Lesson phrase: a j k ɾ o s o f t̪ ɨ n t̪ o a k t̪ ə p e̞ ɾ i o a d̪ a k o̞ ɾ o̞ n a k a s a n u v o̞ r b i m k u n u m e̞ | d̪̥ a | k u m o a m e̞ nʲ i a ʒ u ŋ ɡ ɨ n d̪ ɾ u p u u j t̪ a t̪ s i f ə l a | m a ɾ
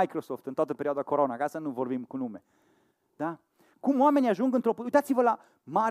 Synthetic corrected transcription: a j k ɾ o s o f t̪ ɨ n t̪ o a t̪ ə p e̞ ɾ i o a d̪ a k o̞ ɾ o̞ n a k a s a n u v o̞ r b i m k u n u m e̞ | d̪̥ a | k u m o a m e̞ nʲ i a ʒ u ŋ ɡ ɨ n t̪ ɾ o p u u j t̪ a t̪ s i v ə l a | m a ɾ